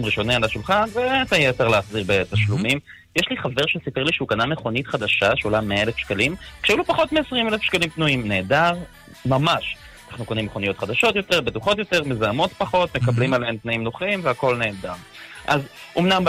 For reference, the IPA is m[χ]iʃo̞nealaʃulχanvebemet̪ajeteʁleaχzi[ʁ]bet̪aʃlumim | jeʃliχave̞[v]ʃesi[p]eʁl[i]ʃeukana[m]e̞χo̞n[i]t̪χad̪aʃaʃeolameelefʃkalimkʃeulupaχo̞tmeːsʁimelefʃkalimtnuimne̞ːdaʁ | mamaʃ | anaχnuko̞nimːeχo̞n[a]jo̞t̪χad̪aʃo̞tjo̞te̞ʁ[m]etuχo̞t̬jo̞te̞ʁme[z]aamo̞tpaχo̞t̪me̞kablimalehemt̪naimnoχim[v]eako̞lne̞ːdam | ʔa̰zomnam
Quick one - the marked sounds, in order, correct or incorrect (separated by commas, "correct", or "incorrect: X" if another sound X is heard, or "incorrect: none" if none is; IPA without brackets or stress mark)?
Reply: incorrect: ʁ, correct, incorrect: ʁ, correct, correct, correct, correct, incorrect: i, incorrect: b, correct, correct